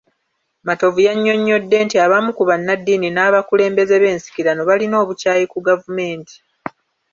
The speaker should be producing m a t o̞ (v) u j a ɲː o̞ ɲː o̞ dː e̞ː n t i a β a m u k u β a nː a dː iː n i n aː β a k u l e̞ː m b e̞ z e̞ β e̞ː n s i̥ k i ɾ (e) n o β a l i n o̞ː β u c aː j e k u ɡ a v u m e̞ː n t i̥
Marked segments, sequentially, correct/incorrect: correct, incorrect

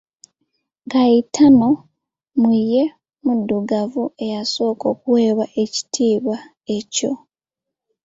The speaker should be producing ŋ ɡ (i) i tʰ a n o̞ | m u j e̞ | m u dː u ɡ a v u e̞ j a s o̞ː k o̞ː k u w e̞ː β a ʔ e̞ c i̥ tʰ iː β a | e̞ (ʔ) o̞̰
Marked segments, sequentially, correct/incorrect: incorrect, incorrect

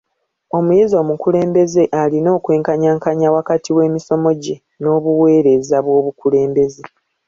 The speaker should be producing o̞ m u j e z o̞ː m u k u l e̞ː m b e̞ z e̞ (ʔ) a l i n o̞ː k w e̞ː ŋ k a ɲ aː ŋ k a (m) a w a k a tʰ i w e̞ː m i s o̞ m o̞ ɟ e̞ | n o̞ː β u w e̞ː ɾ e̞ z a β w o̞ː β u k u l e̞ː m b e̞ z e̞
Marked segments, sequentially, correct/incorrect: correct, incorrect

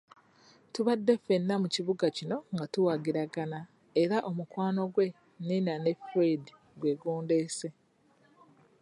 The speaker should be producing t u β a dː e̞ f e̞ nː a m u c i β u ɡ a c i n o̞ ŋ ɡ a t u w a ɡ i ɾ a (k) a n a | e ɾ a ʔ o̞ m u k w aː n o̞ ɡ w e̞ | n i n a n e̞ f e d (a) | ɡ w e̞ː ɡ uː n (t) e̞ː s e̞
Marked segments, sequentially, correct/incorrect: incorrect, incorrect, incorrect

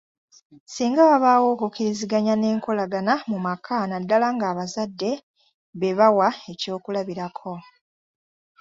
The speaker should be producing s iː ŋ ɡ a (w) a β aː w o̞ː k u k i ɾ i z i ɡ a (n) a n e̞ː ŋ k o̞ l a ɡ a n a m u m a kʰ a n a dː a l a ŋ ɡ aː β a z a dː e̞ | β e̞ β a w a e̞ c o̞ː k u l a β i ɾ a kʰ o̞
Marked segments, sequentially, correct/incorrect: incorrect, incorrect

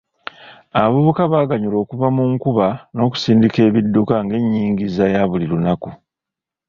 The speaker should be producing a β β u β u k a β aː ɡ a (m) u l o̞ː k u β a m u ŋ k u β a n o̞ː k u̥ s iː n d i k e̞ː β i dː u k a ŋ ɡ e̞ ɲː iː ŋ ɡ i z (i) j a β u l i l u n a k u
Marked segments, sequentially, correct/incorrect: incorrect, incorrect

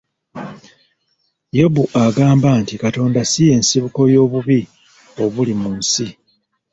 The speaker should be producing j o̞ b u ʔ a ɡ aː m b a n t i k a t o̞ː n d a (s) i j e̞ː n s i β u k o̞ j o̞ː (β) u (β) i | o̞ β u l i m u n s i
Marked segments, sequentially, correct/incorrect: correct, correct, correct

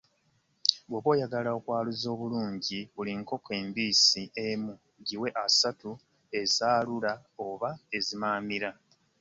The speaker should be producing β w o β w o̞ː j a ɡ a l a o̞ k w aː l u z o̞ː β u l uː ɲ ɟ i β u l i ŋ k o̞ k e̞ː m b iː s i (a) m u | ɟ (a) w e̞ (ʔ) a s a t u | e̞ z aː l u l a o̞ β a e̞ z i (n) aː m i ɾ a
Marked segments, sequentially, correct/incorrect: incorrect, incorrect, correct, incorrect

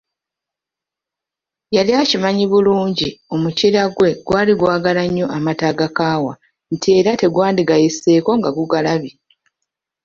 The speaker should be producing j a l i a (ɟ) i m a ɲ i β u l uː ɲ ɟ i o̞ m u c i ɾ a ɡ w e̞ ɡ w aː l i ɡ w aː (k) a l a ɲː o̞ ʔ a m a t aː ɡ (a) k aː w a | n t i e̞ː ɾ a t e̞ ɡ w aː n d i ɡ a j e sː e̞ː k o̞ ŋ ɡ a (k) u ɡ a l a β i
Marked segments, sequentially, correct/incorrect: incorrect, incorrect, correct, incorrect

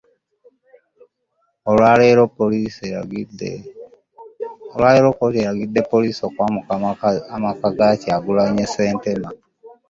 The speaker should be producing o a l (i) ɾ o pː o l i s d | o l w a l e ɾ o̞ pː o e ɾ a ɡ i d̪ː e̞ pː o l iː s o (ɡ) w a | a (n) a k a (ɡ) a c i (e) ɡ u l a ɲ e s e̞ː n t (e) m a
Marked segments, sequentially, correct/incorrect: incorrect, incorrect, incorrect, correct, incorrect, correct

